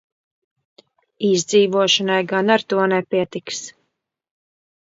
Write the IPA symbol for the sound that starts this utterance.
i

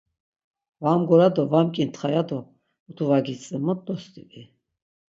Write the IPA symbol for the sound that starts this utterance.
v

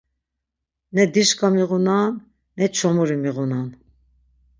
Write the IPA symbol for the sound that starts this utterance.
n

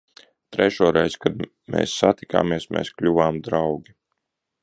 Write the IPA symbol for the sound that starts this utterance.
t̪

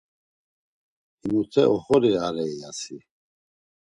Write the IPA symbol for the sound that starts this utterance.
i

